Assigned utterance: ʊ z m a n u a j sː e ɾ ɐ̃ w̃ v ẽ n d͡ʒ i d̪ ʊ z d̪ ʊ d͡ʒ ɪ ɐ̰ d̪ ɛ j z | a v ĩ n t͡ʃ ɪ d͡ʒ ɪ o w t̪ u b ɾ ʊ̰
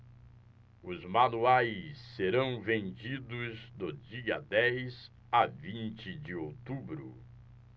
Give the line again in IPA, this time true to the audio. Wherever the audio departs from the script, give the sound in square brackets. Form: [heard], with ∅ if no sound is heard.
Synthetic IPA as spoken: ʊ z m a n u a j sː e ɾ ɐ̃ w̃ v ẽ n d͡ʒ i d̪ ʊ z d̪ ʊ d͡ʒ [i] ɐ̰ d̪ ɛ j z | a v ĩ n t͡ʃ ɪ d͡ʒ ɪ o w t̪ u b ɾ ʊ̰